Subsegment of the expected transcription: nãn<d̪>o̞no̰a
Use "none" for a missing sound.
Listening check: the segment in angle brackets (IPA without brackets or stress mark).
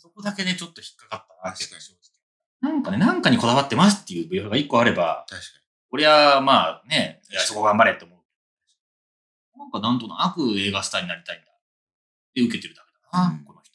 t̪